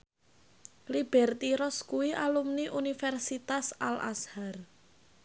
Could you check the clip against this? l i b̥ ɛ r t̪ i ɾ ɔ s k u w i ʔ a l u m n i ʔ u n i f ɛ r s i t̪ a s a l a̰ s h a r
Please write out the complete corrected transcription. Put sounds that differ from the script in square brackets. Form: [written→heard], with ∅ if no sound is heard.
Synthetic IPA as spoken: l i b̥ ɛ r t̪ i ɾ ɔ s k u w i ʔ a l u m n i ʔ u n i f ɛ r s i t̪ a s a l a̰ s h a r

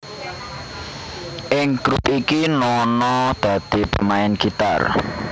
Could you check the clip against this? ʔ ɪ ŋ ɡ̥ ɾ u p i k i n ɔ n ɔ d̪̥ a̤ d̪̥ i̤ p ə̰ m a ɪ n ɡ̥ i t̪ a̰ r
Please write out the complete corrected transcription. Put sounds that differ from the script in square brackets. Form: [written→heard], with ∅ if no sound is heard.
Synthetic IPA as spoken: ʔ ɪ ŋ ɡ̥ ɾ u p i k i n ɔ n ɔ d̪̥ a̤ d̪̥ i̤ p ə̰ m a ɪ n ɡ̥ i t̪ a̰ r

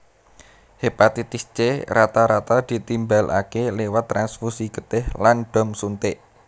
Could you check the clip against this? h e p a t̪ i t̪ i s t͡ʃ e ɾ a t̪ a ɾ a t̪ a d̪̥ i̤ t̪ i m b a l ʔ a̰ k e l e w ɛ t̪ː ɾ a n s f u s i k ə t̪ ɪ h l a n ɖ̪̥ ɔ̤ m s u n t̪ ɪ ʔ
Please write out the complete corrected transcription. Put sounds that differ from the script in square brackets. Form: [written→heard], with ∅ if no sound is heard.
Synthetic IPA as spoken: h e p a t̪ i t̪ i s t͡ʃ e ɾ a t̪ a ɾ a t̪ a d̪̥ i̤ t̪ i m b a l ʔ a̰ k e l e w [ɛ→a] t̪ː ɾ a n s f u s i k ə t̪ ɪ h l a n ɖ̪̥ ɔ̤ m s u n t̪ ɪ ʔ

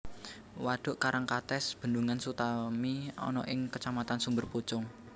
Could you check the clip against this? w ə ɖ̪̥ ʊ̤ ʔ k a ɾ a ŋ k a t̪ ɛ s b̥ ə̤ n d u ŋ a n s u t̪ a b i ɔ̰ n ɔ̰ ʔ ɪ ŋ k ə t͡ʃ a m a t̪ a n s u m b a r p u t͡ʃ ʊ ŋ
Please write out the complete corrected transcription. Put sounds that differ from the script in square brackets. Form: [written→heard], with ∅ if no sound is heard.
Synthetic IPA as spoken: w [ə→a] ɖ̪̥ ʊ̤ ʔ k a ɾ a ŋ k a t̪ ɛ s b̥ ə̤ n d u ŋ a n s u t̪ a [b→m] i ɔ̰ n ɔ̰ ʔ ɪ ŋ k ə t͡ʃ a m a t̪ a n s u m b [a→ə] r p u t͡ʃ ʊ ŋ

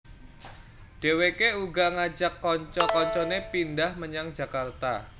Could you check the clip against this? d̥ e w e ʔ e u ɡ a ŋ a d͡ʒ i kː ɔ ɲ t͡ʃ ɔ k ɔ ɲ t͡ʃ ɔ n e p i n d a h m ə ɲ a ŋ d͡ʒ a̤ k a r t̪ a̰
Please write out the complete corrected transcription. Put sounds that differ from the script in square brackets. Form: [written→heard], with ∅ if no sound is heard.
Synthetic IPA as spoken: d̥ e w e [ʔ→k] e u ɡ a ŋ a d͡ʒ [i→a] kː ɔ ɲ t͡ʃ ɔ k ɔ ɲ t͡ʃ ɔ n e p i n d a h m ə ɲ a ŋ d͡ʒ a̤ k a r t̪ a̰

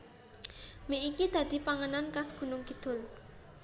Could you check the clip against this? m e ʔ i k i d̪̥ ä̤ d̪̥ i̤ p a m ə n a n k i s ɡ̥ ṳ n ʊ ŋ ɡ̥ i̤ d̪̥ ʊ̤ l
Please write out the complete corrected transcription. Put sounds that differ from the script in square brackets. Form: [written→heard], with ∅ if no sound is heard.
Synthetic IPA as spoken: m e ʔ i k i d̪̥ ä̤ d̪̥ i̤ p a [m→ŋ] ə n a n k [i→a] s ɡ̥ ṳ n ʊ ŋ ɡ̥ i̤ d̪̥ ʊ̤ l

